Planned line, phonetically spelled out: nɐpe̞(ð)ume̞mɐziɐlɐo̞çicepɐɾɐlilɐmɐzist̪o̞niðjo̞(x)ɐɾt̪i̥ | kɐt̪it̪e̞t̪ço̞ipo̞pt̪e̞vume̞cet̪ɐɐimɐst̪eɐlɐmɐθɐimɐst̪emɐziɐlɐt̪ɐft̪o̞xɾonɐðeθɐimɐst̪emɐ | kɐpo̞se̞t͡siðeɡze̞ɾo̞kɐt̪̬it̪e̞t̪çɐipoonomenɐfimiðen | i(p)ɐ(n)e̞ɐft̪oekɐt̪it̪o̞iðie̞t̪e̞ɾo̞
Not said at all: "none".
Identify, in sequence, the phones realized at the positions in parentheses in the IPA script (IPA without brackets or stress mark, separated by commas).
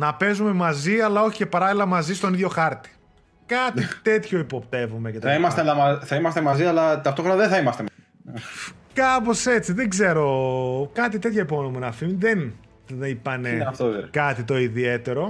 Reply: z, x, p, n